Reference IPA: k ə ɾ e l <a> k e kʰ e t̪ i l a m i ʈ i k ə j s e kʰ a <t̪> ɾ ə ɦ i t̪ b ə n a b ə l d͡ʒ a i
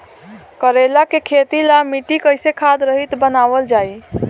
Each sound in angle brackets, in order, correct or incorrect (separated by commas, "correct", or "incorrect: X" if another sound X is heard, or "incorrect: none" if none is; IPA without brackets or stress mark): correct, incorrect: d̪